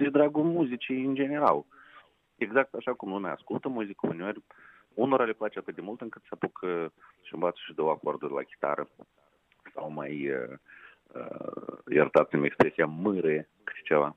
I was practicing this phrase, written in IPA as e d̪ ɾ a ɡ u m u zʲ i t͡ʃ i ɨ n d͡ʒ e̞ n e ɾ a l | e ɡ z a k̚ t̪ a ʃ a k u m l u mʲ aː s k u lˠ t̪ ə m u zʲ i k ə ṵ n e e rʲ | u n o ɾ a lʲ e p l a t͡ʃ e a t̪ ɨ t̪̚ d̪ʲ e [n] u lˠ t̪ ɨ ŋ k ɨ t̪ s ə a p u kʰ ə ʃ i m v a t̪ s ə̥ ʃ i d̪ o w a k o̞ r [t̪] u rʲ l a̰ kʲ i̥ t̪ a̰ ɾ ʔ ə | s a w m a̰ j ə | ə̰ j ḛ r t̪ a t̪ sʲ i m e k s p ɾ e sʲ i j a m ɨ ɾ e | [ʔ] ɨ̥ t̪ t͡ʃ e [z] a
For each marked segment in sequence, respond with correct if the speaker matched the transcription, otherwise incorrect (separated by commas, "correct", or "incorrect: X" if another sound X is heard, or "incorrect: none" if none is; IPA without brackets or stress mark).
incorrect: m, incorrect: d̪, incorrect: k, incorrect: v